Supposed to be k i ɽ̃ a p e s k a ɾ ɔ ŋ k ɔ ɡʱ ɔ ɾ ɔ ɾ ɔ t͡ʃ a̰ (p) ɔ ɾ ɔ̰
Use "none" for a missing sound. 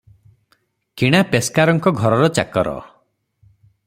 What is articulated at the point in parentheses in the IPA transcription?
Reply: k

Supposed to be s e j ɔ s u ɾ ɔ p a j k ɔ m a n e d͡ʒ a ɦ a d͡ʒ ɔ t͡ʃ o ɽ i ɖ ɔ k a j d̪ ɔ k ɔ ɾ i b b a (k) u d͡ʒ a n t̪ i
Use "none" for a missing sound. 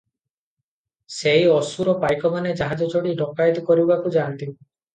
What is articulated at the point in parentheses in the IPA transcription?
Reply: k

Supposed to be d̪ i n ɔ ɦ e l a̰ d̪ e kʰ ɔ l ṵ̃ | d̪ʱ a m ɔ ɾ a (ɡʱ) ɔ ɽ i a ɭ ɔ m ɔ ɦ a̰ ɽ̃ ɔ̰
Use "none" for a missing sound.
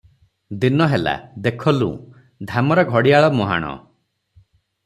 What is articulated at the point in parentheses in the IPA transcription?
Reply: ɡʱ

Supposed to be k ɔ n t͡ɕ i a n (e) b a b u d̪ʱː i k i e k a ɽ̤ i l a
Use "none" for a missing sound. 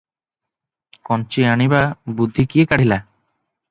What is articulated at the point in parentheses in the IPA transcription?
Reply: i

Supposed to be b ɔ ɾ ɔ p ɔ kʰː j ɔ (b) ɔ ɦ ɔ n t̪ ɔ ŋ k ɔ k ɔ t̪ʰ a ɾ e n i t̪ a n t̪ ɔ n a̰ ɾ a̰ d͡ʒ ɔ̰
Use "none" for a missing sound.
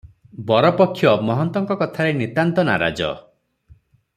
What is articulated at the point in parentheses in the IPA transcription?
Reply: m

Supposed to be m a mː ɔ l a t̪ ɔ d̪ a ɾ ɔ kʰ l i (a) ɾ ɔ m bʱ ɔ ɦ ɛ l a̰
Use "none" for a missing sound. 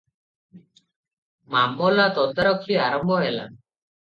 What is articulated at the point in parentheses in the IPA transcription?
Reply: a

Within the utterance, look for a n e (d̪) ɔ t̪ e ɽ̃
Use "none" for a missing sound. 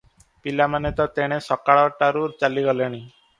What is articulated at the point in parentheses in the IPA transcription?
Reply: t̪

